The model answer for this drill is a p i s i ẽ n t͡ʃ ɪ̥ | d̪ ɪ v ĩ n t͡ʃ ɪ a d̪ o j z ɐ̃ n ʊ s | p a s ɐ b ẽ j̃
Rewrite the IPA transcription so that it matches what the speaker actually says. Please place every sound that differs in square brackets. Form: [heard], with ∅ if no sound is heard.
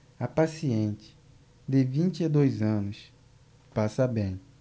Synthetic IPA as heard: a p [a] s i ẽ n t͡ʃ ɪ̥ | d̪ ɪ v ĩ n t͡ʃ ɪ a d̪ o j z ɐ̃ n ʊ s | p a s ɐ b ẽ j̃